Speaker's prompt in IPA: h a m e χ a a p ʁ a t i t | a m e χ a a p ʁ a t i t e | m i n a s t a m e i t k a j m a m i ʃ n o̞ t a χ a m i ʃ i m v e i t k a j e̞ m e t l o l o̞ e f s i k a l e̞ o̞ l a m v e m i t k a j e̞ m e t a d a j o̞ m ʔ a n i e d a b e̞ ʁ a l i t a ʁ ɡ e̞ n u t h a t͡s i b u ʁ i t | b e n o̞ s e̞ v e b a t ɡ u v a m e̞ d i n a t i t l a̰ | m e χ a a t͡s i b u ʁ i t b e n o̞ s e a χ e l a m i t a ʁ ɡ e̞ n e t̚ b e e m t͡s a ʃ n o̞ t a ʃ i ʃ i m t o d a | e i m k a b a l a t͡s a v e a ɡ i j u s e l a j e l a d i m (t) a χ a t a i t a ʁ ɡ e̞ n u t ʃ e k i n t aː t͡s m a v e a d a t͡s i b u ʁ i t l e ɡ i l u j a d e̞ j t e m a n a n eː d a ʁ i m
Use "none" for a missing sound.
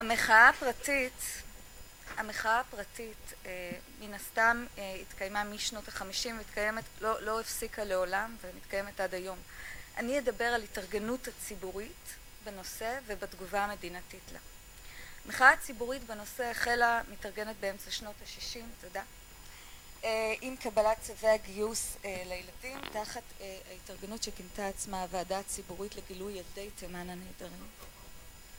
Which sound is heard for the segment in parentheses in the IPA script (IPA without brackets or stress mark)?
t